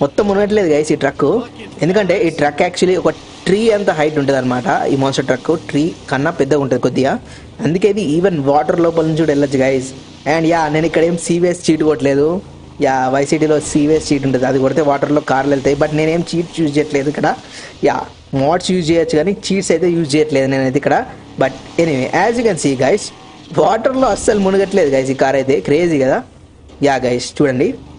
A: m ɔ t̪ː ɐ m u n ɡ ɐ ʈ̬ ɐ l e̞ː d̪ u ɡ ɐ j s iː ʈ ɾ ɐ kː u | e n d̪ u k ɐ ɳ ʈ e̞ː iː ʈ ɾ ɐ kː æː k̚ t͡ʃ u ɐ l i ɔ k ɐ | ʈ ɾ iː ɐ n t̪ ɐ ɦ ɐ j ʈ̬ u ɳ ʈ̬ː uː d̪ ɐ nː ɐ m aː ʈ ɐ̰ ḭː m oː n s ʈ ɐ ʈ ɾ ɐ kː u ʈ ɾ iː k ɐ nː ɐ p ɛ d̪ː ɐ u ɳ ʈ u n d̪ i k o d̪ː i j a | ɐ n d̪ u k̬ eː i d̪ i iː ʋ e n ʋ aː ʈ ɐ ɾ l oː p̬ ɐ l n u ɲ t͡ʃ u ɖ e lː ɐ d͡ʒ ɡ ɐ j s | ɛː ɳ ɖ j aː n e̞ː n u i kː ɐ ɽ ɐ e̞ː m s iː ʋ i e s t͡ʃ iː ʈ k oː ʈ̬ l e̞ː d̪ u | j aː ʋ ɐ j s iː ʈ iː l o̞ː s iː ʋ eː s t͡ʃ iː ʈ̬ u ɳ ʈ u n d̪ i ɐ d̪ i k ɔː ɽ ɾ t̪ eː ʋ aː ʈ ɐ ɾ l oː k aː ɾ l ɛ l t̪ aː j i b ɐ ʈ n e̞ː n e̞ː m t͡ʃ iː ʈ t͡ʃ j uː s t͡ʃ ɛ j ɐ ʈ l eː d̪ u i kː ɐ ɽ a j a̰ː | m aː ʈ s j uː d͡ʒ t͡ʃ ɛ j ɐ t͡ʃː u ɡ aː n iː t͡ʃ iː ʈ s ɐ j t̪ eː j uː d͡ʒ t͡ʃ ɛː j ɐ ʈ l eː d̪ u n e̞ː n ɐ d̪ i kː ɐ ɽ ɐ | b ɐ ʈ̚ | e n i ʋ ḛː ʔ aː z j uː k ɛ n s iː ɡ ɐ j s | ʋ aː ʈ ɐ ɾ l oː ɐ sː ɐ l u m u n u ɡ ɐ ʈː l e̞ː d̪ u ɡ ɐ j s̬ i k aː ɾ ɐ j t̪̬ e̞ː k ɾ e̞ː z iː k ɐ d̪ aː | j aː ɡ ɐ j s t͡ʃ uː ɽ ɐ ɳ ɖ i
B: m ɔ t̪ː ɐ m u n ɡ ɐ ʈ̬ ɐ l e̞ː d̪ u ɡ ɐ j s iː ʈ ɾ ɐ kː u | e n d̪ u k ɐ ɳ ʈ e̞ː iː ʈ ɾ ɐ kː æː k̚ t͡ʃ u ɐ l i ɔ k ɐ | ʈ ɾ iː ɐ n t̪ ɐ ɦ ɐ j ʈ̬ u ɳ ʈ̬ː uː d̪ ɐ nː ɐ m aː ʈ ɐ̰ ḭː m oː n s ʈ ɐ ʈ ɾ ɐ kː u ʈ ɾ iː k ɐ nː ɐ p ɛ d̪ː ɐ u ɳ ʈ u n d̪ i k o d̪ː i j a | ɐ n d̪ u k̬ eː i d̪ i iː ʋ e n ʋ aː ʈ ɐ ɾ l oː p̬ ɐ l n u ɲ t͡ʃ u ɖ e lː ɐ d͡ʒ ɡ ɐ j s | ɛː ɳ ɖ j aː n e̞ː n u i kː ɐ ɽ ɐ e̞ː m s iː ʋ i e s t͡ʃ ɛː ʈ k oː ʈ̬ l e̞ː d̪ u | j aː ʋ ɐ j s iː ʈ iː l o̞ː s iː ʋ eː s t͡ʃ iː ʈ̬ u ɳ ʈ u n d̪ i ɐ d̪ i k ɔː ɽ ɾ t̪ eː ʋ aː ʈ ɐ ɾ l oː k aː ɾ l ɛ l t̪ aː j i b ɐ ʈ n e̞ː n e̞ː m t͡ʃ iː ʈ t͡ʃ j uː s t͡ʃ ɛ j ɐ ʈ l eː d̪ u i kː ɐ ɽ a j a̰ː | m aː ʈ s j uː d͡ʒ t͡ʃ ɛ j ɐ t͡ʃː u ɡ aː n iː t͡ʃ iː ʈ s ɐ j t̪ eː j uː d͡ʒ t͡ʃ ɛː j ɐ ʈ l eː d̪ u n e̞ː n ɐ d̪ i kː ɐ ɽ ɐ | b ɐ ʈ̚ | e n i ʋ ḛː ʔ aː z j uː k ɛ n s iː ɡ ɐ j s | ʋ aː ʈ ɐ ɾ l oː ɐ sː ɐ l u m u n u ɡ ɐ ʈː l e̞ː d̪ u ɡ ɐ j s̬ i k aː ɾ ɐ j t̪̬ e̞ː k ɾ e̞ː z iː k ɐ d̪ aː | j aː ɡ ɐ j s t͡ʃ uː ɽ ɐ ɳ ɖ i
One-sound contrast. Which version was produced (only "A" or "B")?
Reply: A